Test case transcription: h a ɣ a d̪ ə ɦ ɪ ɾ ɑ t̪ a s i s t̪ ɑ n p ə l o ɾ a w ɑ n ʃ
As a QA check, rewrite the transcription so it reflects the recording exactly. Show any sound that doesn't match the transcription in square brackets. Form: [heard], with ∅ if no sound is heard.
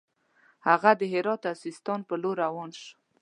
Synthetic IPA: h a ɣ a d̪ ə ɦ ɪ ɾ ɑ t̪ a s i s t̪ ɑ n p ə l o ɾ a w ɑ n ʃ